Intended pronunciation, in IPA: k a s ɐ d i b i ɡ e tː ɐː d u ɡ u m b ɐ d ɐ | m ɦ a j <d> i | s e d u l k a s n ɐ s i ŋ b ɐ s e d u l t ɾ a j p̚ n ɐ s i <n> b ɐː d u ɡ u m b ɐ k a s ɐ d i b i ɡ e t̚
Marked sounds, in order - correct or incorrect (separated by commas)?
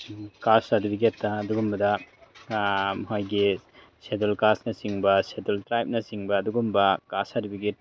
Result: incorrect, incorrect